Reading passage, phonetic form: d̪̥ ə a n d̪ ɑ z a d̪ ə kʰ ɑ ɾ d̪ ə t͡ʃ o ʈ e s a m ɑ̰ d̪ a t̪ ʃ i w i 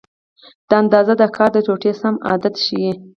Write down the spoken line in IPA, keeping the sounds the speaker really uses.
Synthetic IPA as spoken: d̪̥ ə a n d̪ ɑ z a d̪ ə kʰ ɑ ɾ d̪ ə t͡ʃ o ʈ e s a m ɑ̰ d̪ a t̪ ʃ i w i